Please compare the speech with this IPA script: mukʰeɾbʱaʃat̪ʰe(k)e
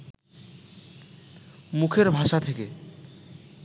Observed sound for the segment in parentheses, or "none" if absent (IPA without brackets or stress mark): k